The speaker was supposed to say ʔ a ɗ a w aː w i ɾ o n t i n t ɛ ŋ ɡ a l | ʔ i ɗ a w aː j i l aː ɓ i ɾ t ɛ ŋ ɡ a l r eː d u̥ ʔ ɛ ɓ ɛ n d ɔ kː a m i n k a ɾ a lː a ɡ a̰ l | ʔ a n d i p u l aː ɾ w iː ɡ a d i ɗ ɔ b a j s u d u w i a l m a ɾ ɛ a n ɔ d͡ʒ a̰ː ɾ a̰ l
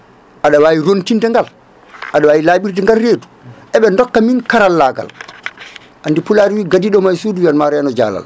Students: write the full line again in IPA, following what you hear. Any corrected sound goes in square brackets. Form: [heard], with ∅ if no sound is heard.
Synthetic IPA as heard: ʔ a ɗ a w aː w i ɾ o n t i n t ɛ ŋ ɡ a l | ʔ [a] ɗ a w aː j i l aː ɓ i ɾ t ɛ ŋ ɡ a l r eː d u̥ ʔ ɛ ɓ ɛ n d ɔ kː a m i n k a ɾ a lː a ɡ a̰ l | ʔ a n d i p u l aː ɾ w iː ɡ a d i ɗ ɔ [m] a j s u d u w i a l m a ɾ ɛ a n ɔ d͡ʒ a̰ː [l] a̰ l